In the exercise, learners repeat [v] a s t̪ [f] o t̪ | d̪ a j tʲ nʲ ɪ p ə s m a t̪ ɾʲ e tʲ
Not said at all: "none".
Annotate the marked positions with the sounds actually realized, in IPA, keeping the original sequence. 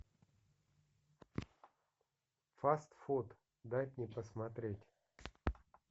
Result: f, f

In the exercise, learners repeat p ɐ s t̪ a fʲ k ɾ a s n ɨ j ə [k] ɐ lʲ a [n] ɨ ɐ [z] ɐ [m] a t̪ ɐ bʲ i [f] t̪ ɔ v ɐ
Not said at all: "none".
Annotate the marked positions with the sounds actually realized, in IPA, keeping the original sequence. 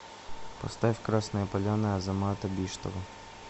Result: p, n, z, m, ʂ

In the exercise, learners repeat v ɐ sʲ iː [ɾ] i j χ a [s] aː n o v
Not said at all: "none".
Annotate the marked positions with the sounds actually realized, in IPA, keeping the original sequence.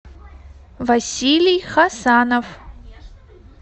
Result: l, s

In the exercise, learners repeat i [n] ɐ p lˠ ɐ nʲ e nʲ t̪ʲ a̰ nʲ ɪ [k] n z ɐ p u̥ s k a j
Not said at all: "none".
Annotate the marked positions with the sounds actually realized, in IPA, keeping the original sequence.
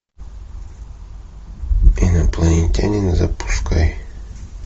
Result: n, none

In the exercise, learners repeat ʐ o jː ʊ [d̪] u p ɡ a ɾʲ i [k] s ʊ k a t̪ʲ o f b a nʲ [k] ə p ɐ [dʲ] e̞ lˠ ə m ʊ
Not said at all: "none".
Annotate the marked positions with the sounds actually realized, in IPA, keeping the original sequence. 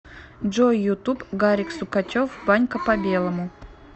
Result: t̪, k, k, bʲ

